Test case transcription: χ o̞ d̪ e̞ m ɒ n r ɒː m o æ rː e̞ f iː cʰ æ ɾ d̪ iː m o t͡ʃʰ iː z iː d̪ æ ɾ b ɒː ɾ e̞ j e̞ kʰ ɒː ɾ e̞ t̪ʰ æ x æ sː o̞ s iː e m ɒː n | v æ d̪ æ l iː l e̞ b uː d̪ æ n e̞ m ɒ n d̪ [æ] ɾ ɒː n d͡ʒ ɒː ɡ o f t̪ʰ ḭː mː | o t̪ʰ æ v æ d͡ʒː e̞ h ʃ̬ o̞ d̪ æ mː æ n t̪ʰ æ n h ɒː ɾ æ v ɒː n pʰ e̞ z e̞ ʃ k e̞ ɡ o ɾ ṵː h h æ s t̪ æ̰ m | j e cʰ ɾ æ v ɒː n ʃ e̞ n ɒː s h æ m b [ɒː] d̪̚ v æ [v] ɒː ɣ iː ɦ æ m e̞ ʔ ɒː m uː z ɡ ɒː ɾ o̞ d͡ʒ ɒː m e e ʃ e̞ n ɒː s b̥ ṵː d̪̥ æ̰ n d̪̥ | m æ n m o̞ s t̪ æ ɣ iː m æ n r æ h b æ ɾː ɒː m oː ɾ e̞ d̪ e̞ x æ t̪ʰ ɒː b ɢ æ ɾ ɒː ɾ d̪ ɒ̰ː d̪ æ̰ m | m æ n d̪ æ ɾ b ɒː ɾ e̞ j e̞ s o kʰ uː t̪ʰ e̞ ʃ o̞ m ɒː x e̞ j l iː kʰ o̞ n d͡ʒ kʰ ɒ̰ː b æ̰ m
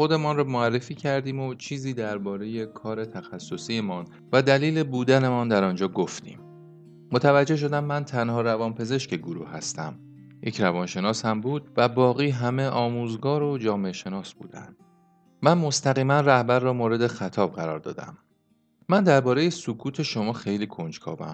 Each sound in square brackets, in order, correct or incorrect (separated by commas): correct, incorrect, incorrect